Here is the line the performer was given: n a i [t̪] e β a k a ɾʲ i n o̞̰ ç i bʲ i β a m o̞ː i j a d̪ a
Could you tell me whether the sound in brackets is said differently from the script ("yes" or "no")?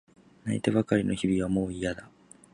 no